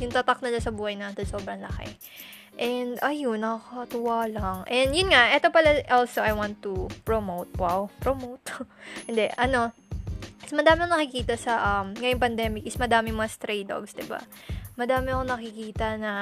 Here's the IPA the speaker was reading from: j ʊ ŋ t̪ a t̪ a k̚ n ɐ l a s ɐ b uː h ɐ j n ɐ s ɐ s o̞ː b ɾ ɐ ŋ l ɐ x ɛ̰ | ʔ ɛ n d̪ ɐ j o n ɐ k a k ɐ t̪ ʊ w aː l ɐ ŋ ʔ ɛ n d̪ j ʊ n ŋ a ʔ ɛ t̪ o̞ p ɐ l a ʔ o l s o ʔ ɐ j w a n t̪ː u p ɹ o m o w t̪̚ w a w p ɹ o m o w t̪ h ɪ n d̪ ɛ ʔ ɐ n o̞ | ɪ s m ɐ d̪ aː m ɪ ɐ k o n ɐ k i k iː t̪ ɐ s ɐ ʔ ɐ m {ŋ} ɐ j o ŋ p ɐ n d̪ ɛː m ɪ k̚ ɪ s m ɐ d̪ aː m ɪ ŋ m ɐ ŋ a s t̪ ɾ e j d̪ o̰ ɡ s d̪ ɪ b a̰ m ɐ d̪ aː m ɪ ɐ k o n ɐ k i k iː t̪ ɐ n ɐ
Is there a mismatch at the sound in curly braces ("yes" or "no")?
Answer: no